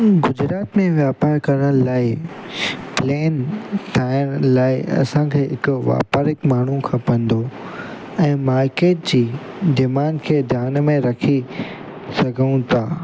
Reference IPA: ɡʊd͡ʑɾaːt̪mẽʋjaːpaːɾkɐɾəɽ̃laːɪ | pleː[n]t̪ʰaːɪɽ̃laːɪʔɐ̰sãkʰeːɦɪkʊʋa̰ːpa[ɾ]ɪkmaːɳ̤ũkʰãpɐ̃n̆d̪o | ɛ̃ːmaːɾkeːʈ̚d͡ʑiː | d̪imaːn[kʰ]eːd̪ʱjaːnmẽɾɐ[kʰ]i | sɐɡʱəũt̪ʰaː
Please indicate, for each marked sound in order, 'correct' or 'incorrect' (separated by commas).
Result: correct, correct, correct, correct